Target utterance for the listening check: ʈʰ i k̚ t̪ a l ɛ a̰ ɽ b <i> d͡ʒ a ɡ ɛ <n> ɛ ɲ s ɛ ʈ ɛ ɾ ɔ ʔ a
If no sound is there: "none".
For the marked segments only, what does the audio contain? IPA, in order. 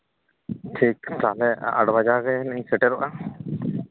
a, n

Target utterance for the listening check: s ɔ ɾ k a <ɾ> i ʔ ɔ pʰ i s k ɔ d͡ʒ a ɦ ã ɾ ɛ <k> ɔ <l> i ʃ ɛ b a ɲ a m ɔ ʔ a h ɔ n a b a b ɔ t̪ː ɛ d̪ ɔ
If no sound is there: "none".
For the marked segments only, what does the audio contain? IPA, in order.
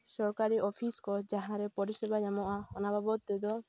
ɾ, p, ɾ

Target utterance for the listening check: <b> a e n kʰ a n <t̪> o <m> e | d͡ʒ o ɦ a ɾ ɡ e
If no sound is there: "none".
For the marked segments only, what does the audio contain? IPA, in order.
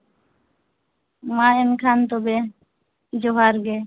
m, t̪, b

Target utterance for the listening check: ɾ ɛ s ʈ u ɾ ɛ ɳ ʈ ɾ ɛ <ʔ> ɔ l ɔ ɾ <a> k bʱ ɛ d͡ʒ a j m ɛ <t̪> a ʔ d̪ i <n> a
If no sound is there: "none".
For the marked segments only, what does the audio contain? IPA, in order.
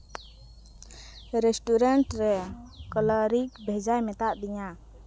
k, i, t̪, ɲ

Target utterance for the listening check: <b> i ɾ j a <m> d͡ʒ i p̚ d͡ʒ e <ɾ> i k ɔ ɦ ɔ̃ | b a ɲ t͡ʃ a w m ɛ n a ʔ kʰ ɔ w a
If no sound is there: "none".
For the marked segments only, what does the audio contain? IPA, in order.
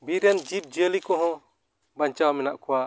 b, n, l

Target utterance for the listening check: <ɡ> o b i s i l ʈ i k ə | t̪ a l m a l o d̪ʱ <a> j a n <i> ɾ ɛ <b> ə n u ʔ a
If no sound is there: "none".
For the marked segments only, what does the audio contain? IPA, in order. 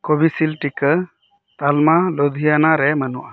k, i, a, m

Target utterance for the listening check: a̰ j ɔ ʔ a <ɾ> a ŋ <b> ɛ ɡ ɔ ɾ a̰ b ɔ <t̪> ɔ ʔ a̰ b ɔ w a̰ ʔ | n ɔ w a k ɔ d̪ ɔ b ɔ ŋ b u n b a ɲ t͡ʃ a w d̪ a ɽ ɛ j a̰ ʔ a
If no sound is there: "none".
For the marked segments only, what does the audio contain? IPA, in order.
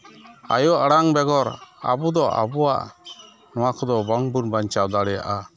ɽ, b, d̪

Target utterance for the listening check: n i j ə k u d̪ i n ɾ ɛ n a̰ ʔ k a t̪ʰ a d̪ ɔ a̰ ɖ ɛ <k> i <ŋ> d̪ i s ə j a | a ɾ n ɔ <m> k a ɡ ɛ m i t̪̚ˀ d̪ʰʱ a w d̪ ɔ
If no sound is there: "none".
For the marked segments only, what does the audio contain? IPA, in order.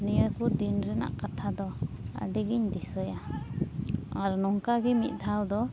ɡ, ɲ, ŋ

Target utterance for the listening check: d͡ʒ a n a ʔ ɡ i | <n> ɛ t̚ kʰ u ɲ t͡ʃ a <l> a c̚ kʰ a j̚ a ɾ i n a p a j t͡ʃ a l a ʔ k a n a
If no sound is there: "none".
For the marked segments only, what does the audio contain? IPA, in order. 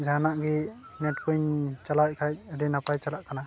n, l

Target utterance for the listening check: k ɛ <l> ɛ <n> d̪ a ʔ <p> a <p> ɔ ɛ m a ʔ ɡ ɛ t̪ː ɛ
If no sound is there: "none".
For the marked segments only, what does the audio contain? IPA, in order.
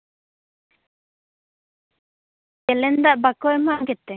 l, n, b, k

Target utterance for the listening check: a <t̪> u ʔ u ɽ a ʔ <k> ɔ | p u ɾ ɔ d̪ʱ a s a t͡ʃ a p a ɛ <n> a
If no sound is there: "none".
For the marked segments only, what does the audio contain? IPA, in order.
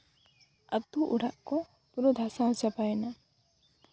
t̪, k, n

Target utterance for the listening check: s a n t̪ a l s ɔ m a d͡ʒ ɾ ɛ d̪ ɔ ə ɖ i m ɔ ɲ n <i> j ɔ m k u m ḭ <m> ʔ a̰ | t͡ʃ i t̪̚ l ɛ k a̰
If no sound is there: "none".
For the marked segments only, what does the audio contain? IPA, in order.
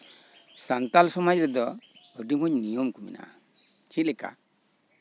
i, n

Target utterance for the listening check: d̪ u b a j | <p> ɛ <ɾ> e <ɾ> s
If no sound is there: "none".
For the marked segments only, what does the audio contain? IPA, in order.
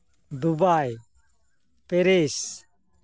p, ɾ, none

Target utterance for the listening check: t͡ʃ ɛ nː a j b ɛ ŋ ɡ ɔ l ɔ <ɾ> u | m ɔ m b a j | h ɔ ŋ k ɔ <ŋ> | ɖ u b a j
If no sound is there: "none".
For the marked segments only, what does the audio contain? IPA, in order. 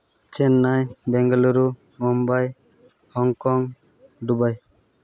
ɾ, ŋ

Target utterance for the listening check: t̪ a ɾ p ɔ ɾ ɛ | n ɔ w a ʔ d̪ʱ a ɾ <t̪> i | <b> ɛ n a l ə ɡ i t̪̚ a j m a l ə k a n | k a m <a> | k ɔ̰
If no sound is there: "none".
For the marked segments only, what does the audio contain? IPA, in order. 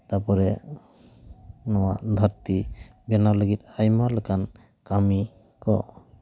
t̪, b, i

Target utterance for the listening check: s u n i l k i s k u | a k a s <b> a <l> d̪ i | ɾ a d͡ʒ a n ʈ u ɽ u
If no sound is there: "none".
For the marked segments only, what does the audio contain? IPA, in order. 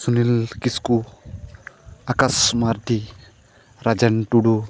m, ɾ

